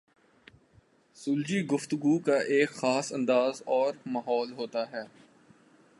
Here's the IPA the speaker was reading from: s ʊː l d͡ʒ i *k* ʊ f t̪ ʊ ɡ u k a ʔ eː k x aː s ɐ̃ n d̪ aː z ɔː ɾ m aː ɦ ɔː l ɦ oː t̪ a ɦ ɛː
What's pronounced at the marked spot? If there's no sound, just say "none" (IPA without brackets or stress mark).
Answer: ɡ